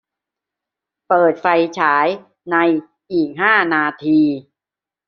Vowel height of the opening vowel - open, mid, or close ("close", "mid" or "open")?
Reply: mid